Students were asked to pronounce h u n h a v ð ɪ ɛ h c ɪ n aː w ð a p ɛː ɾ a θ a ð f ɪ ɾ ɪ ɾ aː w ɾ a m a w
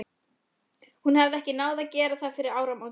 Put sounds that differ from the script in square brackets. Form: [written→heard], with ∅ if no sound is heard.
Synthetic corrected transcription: h u n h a v ð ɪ ɛ h c ɪ n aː w ð a [p→c] ɛː ɾ a θ a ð f ɪ ɾ ɪ ɾ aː w ɾ a m a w